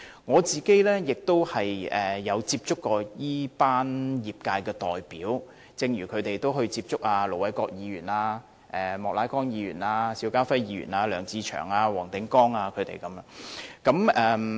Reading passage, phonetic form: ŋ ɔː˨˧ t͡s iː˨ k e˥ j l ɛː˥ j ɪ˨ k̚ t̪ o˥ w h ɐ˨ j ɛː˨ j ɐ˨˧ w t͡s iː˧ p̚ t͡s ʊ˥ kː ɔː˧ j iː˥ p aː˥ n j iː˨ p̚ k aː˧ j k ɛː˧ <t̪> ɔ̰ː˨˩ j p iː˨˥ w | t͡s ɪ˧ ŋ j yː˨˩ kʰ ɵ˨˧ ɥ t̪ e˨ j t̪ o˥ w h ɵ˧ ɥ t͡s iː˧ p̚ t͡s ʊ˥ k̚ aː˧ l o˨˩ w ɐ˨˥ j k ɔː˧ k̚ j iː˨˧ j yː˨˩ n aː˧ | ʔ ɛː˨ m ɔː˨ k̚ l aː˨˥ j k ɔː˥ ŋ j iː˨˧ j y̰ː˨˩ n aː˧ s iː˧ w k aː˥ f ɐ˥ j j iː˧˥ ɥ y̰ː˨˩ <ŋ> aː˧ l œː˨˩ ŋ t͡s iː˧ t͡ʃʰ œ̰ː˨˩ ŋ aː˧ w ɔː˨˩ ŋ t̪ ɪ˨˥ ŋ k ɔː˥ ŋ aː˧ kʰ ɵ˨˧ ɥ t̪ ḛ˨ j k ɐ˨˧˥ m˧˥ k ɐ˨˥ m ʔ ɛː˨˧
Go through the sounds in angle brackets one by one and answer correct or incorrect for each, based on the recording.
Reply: correct, incorrect

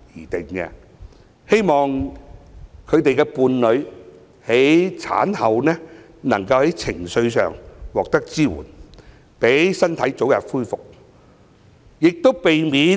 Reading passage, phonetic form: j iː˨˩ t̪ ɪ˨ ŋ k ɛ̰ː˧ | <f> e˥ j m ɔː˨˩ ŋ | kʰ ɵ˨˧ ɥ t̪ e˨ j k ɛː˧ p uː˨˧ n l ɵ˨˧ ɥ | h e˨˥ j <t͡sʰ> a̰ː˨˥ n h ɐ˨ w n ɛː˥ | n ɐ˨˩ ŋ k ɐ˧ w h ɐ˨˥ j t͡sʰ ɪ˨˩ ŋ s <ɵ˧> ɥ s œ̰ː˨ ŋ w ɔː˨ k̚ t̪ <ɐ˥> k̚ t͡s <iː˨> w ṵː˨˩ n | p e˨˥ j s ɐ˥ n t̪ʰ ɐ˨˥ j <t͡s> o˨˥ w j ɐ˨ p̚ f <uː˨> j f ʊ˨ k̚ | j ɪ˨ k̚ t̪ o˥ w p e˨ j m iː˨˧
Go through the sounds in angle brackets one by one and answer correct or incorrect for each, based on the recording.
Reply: incorrect, correct, correct, correct, incorrect, correct, incorrect

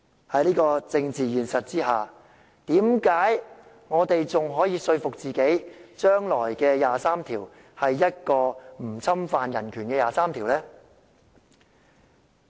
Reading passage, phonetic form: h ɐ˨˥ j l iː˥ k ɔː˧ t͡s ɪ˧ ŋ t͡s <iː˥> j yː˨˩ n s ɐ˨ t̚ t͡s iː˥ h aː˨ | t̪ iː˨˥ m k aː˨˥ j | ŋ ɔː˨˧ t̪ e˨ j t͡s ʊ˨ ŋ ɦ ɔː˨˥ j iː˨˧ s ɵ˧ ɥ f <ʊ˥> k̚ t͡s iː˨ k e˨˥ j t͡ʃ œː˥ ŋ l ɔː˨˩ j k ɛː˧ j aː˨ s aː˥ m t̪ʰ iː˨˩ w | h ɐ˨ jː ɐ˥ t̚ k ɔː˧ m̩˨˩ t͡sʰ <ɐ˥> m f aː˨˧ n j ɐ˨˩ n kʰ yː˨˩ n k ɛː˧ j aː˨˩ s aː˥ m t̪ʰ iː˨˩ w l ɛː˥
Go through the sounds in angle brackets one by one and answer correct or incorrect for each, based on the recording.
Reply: incorrect, incorrect, correct

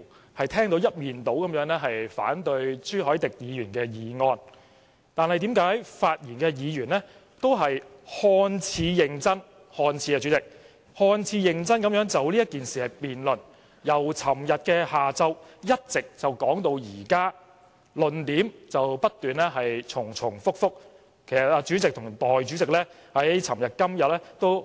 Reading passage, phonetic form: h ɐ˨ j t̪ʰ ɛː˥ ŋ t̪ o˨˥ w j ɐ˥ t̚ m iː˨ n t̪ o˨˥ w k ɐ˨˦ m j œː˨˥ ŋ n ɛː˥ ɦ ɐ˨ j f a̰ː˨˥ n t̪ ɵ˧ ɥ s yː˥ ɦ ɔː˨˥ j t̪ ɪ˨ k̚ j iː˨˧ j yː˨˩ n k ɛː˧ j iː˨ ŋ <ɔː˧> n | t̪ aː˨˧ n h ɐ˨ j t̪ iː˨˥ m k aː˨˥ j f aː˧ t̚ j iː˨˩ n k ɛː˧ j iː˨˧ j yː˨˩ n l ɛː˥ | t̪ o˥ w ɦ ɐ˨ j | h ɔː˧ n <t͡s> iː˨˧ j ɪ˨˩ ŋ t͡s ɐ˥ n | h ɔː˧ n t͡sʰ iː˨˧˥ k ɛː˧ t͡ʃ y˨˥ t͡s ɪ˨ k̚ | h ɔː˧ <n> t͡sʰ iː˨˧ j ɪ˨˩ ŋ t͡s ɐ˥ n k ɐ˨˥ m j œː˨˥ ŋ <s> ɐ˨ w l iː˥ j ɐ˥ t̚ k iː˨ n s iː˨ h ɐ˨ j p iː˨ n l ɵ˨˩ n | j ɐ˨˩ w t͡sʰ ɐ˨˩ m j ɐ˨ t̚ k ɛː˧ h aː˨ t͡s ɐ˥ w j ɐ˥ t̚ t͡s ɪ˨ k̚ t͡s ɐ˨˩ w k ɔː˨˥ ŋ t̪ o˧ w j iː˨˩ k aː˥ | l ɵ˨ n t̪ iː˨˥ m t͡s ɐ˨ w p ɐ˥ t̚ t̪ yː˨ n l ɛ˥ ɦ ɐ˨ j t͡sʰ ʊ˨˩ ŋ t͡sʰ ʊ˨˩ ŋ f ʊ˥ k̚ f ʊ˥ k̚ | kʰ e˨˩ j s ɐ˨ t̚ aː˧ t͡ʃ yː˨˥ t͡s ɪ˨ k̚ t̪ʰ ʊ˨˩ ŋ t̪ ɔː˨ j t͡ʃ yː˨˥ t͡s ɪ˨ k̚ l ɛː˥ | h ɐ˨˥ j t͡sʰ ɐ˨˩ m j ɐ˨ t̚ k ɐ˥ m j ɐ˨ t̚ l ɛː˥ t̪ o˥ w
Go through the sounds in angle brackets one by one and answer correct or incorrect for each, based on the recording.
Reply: correct, incorrect, correct, incorrect

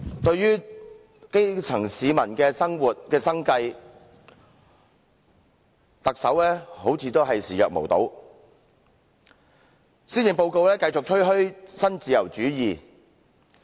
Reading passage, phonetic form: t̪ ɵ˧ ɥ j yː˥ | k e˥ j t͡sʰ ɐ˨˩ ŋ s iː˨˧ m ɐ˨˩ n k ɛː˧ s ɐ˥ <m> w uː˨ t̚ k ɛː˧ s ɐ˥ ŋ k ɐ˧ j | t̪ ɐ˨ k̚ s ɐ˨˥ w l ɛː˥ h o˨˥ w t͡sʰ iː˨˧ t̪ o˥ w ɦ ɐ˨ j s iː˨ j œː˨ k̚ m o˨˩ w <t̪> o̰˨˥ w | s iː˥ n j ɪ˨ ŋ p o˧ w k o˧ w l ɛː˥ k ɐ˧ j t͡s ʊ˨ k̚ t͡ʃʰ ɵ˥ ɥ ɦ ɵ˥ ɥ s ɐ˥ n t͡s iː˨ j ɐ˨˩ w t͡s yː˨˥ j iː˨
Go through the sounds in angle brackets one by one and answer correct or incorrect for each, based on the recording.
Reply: incorrect, correct

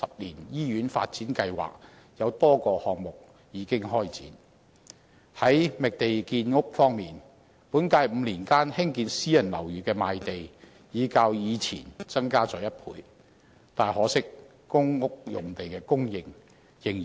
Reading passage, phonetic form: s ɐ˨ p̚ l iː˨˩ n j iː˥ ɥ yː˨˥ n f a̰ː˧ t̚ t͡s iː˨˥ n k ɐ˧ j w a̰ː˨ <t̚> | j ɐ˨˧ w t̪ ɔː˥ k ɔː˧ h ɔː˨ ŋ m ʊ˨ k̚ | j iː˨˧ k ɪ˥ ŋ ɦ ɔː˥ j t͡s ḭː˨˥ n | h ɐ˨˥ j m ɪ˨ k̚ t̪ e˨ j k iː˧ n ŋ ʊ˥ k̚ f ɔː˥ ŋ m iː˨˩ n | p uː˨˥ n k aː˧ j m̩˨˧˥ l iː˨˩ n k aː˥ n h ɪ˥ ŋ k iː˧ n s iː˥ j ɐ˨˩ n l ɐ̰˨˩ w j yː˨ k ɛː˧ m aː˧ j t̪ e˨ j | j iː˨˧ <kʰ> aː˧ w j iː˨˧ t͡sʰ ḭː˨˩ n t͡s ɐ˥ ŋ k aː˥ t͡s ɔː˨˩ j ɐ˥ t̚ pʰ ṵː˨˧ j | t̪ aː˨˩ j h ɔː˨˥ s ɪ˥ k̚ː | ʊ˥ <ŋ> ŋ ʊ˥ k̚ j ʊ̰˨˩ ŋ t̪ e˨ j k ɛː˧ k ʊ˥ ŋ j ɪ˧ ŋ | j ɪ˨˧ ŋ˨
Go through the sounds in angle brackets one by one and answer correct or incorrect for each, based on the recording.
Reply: incorrect, incorrect, correct

